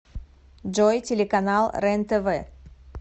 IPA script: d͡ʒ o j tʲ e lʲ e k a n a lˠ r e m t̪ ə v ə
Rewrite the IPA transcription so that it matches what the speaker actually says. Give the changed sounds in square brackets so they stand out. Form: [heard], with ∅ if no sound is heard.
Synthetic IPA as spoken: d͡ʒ o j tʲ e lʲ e k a n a lˠ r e [n] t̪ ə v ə